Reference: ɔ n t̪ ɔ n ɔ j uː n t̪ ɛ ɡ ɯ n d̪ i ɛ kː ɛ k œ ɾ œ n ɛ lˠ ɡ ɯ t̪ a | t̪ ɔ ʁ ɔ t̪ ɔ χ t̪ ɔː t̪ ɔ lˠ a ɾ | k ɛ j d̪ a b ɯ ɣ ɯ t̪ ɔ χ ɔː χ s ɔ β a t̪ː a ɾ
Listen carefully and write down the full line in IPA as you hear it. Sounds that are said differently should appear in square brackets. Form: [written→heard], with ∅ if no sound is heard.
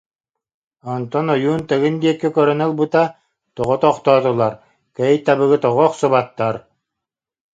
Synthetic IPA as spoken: ɔ n t̪ ɔ n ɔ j uː n t̪ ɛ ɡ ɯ n d̪ i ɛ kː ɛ k œ ɾ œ n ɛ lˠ [ɡ→b] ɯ t̪ a | t̪ ɔ ʁ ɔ t̪ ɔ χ t̪ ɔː t̪ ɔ lˠ a ɾ | k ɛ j [d̪→t̪] a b ɯ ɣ ɯ t̪ ɔ [χ→ʁ] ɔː χ s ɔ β a t̪ː a ɾ